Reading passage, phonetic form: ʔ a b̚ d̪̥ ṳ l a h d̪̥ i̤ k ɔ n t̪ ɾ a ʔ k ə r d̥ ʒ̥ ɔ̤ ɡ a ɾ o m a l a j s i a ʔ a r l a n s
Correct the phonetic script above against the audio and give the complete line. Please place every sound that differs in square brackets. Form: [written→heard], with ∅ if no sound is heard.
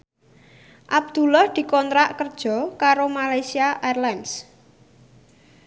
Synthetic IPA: ʔ a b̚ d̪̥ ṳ l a h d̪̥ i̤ k ɔ n t̪ ɾ a ʔ k ə r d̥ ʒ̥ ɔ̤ [ɡ→k] a ɾ o m a l a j s i a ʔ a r l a n s